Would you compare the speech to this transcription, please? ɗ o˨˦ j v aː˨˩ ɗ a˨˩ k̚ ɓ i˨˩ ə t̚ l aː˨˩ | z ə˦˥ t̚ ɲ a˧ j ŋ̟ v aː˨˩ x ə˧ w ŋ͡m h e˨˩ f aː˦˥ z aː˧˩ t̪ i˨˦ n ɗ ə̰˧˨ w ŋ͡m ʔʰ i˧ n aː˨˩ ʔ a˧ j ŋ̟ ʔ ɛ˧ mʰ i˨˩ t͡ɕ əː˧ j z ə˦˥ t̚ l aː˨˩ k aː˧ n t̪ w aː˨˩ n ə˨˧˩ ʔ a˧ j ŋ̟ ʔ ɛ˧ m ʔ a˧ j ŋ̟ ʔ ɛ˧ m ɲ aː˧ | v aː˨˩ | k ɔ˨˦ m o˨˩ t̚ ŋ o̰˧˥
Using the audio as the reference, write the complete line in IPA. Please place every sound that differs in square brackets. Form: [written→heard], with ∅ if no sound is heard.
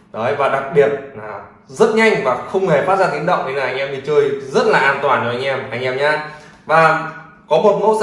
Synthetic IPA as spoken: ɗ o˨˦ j v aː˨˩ ɗ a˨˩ k̚ ɓ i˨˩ ə t̚ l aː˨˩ | z ə˦˥ t̚ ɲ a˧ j ŋ̟ v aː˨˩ x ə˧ w ŋ͡m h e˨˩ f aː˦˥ z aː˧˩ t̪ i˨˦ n ɗ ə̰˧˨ w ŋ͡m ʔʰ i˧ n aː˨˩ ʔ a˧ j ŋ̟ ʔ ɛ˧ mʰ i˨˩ t͡ɕ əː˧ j z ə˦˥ t̚ l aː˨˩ [k→ʔ] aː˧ n t̪ w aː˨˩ n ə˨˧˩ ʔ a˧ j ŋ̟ ʔ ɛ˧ m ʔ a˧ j ŋ̟ ʔ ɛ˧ m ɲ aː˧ | v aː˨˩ | k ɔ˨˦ m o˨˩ t̚ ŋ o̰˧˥